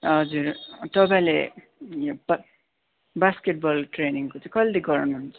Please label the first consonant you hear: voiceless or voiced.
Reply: voiced